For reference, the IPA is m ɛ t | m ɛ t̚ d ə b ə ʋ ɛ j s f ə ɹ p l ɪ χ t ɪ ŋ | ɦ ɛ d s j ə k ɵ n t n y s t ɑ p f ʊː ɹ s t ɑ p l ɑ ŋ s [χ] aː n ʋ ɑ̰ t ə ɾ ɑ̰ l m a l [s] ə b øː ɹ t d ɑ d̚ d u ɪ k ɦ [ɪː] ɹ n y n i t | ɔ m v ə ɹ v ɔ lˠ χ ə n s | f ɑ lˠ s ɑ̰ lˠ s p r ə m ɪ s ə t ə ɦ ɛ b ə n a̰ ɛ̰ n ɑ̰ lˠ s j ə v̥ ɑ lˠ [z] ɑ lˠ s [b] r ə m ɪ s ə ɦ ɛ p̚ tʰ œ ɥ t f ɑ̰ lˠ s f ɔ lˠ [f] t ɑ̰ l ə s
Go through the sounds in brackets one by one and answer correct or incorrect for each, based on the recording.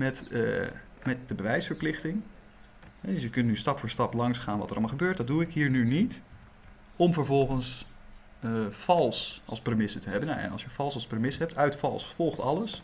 correct, incorrect: χ, incorrect: iː, incorrect: s, incorrect: p, incorrect: χ

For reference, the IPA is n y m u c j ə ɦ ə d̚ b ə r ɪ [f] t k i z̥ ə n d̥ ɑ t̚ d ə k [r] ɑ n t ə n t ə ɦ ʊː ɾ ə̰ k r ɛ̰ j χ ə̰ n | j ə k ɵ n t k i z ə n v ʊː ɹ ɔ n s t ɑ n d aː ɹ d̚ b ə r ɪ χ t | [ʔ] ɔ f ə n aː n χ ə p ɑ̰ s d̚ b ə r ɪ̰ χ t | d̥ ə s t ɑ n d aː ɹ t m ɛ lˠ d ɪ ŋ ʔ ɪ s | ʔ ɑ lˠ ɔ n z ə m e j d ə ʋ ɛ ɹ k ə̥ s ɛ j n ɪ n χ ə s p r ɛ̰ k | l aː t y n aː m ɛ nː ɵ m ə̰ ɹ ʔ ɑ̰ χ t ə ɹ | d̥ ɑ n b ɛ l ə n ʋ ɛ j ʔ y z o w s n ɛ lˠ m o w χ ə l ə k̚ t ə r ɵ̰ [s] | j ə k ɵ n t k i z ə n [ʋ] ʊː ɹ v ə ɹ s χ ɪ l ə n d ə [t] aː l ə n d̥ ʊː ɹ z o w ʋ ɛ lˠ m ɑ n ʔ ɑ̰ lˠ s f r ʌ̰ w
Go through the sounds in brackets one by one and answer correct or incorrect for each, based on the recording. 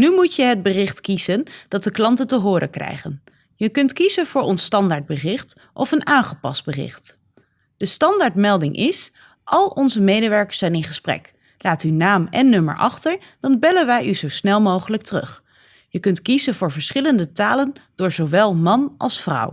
incorrect: χ, incorrect: l, correct, incorrect: χ, incorrect: v, correct

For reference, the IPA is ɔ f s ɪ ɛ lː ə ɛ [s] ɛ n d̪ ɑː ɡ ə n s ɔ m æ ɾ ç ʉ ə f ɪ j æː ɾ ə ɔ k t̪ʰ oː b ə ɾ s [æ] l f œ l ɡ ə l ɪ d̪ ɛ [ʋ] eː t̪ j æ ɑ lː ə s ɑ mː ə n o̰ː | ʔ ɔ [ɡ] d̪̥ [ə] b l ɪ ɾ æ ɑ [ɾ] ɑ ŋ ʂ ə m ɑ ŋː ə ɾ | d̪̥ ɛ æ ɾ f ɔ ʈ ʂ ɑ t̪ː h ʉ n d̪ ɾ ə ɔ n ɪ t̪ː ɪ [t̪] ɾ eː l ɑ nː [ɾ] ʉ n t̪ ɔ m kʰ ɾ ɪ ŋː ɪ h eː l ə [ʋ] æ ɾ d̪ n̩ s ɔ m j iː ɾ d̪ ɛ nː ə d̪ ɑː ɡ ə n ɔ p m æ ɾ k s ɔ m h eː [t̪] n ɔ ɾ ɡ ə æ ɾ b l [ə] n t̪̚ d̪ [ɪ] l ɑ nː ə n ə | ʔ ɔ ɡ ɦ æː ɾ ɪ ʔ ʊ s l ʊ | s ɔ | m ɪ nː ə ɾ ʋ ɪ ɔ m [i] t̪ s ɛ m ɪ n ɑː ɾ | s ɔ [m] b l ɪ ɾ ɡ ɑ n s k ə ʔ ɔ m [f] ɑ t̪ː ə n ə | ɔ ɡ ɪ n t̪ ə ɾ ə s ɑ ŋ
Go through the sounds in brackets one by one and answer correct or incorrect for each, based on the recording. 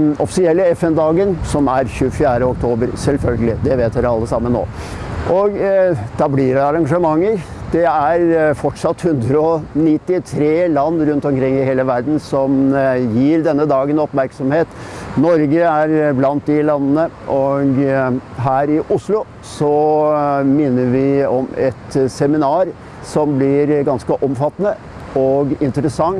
incorrect: f, incorrect: ɛ, correct, correct, incorrect: ɑ, correct, incorrect: t̪ʰ, correct, correct, correct, incorrect: ɑ, correct, incorrect: ɛ, correct, correct

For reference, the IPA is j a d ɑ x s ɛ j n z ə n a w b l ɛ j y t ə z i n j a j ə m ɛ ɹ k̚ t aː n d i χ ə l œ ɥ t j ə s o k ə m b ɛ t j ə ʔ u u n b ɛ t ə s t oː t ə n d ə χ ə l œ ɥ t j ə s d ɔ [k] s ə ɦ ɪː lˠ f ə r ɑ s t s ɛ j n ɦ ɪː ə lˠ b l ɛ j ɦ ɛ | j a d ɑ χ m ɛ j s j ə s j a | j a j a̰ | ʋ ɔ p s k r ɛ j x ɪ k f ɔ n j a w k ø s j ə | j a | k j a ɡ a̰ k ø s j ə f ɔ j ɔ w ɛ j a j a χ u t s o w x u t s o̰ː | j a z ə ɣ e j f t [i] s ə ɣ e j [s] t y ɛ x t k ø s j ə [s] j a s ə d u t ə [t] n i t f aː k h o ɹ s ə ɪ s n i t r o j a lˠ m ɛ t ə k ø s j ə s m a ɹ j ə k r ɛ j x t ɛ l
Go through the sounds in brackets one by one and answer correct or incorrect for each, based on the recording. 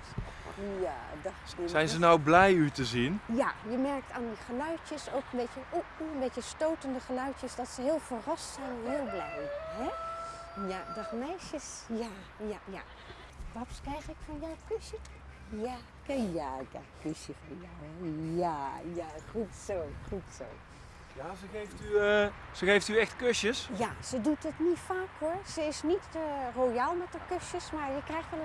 incorrect: t, incorrect: y, incorrect: f, correct, correct

